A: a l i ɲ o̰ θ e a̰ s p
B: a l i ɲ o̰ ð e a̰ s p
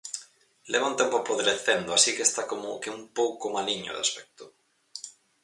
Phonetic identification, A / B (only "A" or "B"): B